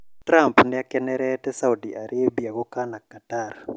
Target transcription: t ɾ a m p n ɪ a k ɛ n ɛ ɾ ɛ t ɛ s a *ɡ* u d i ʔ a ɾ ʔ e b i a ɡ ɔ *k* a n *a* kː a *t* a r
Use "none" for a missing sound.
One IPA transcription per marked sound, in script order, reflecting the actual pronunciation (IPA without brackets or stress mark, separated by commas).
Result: none, k, a, t